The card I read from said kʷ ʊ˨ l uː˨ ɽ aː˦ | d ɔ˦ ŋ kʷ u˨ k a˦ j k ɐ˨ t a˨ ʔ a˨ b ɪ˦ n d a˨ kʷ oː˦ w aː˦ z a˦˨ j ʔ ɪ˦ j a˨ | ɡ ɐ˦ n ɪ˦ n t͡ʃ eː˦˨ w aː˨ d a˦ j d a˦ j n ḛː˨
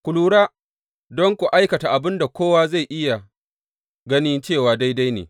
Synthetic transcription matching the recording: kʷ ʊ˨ l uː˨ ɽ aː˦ | d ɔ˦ ŋ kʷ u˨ ʔ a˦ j k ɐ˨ t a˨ ʔ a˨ b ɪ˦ n d a˨ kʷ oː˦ w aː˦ z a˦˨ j ʔ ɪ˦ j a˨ | ɡ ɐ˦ n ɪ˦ n t͡ʃ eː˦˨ w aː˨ d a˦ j d a˦ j n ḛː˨